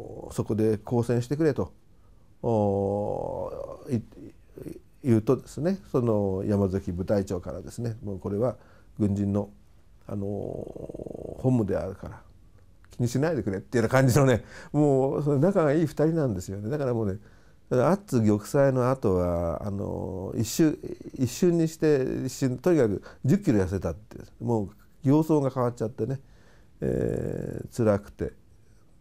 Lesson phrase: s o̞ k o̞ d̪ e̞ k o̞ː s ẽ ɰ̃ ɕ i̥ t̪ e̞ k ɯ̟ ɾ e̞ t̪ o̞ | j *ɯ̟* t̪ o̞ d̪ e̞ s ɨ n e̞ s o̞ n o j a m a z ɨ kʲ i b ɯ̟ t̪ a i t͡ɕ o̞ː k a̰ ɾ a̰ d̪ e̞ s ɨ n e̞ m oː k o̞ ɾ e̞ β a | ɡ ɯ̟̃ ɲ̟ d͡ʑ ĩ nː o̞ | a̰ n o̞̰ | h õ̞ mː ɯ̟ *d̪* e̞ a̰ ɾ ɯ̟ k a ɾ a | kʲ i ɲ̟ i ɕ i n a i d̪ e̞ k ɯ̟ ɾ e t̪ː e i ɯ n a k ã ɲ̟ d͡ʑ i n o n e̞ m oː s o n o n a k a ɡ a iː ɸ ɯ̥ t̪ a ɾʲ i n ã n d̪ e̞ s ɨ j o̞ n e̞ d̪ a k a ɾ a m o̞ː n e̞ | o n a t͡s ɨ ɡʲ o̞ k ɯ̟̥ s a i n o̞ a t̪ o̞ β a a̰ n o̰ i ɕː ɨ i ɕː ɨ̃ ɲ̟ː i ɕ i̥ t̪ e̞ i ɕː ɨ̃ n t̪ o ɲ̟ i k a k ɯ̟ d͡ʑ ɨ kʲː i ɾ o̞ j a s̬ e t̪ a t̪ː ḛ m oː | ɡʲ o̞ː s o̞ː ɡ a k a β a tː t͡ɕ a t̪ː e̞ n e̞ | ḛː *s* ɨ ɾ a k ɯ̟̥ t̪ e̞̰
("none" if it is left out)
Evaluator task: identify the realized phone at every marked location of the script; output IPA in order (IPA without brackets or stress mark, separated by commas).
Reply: ɯ̟ː, d̪, t͡s